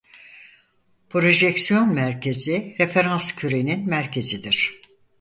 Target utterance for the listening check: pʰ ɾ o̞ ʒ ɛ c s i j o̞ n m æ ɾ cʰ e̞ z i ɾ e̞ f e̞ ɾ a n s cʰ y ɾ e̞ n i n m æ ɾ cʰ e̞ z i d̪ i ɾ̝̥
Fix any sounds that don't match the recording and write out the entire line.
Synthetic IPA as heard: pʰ ɾ o̞ ʒ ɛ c s i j o̞ n m æ ɾ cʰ e̞ z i ɾ e̞ f e̞ ɾ a n s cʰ y ɾ e̞ n i n m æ ɾ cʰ e̞ z i d̪ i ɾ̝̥